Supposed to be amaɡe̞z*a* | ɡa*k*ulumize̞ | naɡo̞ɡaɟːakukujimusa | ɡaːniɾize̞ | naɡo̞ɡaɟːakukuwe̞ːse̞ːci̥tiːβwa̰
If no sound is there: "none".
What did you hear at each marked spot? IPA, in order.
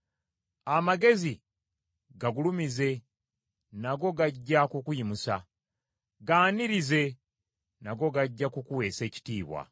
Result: i, ɡ

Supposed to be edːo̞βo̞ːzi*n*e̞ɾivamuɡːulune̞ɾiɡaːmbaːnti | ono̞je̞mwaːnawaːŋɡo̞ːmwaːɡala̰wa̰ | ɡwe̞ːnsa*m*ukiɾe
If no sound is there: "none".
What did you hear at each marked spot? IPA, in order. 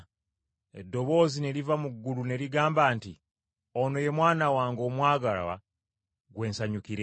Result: n, ɲ

